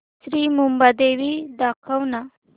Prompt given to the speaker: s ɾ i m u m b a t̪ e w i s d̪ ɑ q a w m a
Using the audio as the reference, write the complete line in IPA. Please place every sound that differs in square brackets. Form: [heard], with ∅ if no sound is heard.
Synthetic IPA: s ɾ i m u m b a [d̪] e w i [∅] d̪ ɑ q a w [n] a